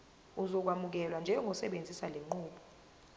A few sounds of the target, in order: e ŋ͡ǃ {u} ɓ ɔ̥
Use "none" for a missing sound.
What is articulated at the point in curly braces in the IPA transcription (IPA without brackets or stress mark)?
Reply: uː